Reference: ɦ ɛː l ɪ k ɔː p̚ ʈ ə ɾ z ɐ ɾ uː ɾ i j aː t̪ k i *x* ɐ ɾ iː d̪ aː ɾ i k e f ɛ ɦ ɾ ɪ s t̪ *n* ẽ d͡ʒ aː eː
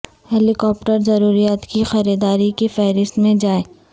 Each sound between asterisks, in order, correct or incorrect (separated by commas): correct, incorrect